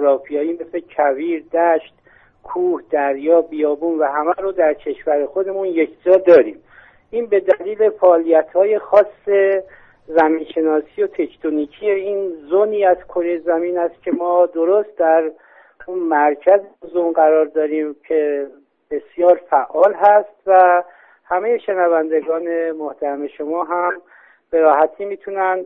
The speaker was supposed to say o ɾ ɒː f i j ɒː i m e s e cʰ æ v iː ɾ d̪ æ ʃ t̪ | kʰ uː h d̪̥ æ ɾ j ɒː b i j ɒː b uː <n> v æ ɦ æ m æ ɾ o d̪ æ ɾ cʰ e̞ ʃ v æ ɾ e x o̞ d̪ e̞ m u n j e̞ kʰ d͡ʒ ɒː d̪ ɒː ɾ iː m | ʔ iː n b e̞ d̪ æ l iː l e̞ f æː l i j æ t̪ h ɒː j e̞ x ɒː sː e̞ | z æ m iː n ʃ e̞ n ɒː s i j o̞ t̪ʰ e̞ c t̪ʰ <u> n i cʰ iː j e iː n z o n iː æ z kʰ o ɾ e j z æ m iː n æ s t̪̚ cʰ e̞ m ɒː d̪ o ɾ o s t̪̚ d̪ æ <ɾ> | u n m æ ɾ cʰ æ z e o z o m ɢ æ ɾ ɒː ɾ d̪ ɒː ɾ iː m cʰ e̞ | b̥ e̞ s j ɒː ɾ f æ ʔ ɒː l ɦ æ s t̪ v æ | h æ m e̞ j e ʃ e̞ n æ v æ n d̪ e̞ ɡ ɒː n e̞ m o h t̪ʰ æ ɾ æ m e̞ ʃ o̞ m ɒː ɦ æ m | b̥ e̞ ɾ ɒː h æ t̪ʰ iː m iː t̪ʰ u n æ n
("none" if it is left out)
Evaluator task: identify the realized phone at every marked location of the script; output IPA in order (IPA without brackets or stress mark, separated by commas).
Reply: n, o, ɾ